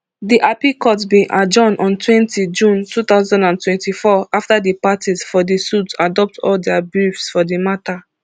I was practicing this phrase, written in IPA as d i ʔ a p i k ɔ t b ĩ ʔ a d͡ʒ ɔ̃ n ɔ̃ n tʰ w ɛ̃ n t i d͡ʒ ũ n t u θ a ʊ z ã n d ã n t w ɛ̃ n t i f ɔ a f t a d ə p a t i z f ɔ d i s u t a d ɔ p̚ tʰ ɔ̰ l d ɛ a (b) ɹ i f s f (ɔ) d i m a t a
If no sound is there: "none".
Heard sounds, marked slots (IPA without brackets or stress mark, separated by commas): b, ɔ